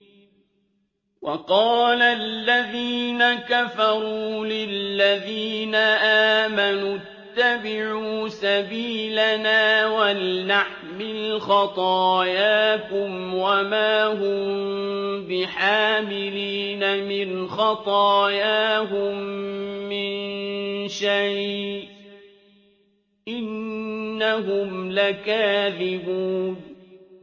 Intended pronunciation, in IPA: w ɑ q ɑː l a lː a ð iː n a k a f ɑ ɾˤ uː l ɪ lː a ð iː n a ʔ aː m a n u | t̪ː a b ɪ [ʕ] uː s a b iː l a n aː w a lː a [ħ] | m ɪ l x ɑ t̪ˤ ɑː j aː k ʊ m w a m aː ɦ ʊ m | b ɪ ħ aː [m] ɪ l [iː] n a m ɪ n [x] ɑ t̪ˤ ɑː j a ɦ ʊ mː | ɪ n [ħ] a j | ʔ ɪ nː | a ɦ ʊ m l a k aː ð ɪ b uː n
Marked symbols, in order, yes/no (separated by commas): yes, yes, yes, yes, yes, no